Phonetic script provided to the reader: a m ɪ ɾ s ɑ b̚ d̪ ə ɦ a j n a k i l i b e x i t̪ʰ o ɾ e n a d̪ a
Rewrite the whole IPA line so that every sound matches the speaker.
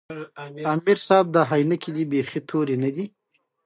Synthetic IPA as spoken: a m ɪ ɾ s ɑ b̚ d̪ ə ɦ a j n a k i l i b e x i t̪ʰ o ɾ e n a d̪ i

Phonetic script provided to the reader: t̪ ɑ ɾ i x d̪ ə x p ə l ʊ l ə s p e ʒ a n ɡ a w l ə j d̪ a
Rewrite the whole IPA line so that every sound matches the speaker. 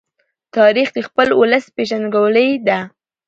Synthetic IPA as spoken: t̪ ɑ ɾ i x d̪ ə x p ə l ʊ l ə s p e ʒ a n ɡ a w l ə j d̪ a

